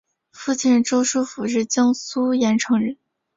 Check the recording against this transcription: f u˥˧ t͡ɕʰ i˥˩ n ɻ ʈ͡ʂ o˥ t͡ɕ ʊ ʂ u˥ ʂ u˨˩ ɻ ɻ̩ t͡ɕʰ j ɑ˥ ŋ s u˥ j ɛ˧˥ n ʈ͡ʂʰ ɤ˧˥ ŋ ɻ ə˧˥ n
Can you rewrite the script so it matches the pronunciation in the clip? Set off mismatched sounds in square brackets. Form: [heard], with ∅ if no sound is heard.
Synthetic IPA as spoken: f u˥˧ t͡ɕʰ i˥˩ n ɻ ʈ͡ʂ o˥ [∅] ʊ ʂ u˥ [f] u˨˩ ɻ ɻ̩ [t͡ɕ] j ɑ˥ ŋ s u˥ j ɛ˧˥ n ʈ͡ʂʰ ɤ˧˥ ŋ ɻ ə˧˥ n